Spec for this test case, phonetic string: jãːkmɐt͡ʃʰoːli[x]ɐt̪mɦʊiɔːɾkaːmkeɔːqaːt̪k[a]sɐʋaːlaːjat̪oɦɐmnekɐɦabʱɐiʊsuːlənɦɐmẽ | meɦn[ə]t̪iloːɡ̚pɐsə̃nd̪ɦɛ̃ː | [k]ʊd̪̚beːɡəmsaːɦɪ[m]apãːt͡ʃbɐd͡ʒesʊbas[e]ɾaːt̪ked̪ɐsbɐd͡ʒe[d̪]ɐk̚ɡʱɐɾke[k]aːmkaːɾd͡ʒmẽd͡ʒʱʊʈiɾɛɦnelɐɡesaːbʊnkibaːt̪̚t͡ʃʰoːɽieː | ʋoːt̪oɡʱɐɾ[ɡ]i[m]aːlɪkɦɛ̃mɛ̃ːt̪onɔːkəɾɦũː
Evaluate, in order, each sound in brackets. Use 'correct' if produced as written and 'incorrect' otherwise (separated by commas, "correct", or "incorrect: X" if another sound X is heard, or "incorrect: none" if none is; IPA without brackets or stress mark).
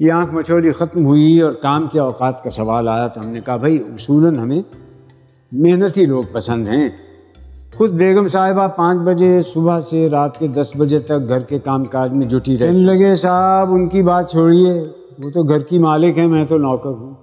correct, correct, correct, incorrect: x, incorrect: b, correct, incorrect: t̪, correct, incorrect: k, correct